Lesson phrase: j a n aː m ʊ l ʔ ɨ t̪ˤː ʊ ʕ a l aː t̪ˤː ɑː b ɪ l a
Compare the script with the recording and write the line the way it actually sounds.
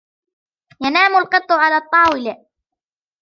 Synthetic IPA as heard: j a n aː m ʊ l q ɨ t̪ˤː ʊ ʕ a l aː t̪ˤː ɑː w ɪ l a